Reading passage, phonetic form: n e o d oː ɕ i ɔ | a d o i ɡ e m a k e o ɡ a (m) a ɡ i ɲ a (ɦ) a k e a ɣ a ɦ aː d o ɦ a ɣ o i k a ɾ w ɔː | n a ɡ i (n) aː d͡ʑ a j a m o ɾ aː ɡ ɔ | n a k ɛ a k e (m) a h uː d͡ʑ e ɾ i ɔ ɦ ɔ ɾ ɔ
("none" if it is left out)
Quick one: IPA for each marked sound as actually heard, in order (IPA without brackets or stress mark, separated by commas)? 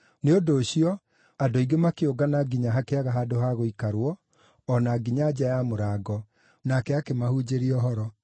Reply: n, ɦ, ɲ, m